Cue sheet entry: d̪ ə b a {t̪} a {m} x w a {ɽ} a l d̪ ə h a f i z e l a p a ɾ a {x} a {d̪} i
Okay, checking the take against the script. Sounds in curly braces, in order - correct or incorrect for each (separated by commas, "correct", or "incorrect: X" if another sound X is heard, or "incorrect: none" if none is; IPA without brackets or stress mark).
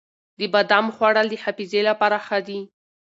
incorrect: d̪, correct, correct, correct, correct